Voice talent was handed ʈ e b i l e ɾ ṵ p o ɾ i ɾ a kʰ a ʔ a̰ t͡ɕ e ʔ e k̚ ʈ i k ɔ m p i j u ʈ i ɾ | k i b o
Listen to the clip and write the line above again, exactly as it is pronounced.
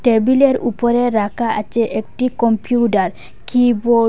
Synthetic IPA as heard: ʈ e b i l e ɾ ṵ p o ɾ e ɾ a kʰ a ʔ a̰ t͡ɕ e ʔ e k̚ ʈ i k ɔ m p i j u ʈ a ɾ | k i b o